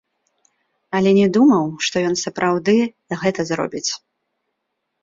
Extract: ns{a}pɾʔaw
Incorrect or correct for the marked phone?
incorrect: ɐ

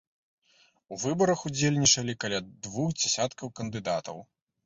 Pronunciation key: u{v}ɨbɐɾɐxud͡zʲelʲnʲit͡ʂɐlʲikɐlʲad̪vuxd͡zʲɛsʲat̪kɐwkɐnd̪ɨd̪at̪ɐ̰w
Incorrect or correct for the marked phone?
correct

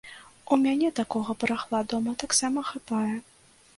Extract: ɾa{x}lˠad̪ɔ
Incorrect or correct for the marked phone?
correct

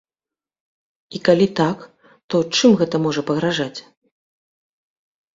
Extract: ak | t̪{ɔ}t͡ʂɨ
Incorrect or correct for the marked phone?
correct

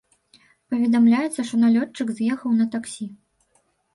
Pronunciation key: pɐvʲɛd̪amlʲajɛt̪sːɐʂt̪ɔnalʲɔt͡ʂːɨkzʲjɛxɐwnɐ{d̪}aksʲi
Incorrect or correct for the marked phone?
incorrect: t̪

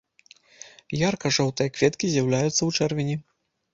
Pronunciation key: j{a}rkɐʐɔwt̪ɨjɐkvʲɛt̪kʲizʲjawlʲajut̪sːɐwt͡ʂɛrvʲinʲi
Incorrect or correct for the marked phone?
correct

